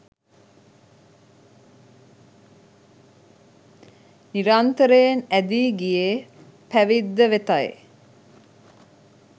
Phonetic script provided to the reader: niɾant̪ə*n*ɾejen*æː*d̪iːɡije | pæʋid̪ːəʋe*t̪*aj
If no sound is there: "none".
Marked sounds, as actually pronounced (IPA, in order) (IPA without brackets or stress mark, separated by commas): none, æ, t̪